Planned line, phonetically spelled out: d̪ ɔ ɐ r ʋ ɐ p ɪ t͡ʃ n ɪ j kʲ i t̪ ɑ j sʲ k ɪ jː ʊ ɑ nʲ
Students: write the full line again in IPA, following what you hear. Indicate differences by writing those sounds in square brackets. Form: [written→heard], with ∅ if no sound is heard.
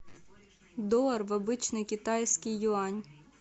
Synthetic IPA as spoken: d̪ ɔ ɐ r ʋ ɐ [p→b] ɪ t͡ʃ n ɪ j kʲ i t̪ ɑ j sʲ k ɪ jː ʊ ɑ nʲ